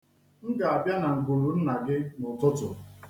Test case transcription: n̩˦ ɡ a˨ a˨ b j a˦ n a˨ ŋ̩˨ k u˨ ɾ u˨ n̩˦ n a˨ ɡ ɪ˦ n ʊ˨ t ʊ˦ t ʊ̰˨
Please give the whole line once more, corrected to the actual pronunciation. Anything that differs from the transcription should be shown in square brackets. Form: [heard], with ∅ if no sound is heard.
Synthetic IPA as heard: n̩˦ ɡ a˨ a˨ b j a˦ n a˨ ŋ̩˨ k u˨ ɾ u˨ n̩˦ n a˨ ɡ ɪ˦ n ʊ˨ t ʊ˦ t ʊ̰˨